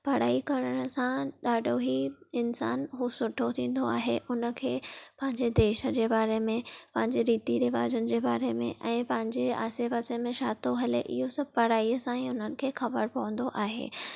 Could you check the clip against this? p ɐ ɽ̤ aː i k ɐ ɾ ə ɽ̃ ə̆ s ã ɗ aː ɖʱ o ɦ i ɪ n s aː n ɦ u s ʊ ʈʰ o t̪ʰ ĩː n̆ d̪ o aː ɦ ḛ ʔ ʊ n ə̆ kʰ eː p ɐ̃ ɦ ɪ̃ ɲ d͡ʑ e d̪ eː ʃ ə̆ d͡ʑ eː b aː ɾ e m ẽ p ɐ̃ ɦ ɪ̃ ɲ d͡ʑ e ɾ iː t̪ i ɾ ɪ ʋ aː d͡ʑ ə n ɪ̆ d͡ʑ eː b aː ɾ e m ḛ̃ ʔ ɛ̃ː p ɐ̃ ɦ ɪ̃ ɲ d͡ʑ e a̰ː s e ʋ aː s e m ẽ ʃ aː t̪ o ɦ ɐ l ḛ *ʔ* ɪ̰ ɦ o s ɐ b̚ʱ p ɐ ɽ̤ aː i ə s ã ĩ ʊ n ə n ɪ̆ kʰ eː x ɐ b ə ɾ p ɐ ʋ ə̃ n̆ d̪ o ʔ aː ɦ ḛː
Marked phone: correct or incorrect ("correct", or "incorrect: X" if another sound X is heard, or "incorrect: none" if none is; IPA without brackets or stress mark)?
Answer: correct